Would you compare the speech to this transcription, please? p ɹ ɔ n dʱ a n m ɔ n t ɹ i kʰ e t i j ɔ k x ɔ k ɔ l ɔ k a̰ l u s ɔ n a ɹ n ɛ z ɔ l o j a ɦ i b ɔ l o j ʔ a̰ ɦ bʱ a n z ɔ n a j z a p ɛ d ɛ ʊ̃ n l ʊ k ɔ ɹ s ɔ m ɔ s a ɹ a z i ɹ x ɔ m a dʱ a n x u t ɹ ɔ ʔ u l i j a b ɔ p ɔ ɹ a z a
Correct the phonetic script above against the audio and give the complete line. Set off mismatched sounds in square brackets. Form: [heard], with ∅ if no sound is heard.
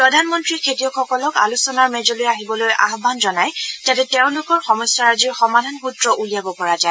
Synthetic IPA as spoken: p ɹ ɔ [∅] dʱ a n m ɔ n t ɹ i kʰ e t i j ɔ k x ɔ k ɔ l ɔ k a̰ l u s ɔ n a ɹ [m] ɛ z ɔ l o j a ɦ i b ɔ l o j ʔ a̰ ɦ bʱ a n z ɔ n a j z a [t] ɛ [t] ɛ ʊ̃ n l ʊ k ɔ ɹ [x] ɔ m ɔ s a ɹ a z i ɹ x ɔ m a dʱ a n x u t ɹ ɔ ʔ u l i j a b ɔ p ɔ ɹ a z a